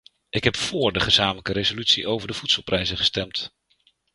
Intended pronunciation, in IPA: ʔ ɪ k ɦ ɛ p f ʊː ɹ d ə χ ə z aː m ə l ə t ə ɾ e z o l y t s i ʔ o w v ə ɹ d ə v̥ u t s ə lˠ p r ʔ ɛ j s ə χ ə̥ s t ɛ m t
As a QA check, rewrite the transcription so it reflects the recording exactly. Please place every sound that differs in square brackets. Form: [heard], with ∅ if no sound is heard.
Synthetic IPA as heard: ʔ ɪ k ɦ ɛ p f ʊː ɹ d ə χ ə z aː m ə l ə [k] ə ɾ e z o l y t s i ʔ o w v ə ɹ d ə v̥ u t s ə lˠ p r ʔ ɛ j [z] ə χ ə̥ s t ɛ m t